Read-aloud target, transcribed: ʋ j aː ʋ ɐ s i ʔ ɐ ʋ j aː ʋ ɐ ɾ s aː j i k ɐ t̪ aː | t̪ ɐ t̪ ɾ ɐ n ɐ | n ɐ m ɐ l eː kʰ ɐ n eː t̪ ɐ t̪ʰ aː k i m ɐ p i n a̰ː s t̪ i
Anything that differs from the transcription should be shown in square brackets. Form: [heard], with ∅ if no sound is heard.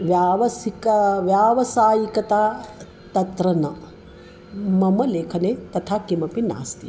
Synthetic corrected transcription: ʋ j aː ʋ ɐ s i [k] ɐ ʋ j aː ʋ ɐ [∅] s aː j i k ɐ t̪ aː | t̪ ɐ t̪ ɾ ɐ n ɐ | [m] ɐ m ɐ l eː kʰ ɐ n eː t̪ ɐ t̪ʰ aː k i m ɐ p i n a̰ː s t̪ i